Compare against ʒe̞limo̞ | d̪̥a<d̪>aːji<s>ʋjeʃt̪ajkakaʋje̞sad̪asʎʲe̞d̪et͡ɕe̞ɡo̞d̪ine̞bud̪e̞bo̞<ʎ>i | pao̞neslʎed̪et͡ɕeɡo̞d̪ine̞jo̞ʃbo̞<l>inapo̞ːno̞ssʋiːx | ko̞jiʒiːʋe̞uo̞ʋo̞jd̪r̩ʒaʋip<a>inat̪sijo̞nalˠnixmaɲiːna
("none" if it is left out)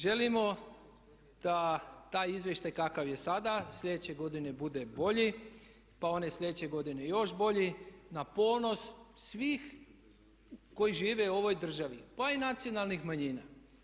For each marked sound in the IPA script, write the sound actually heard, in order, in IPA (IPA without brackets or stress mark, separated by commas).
t̪, z, ʎ, ʎ, a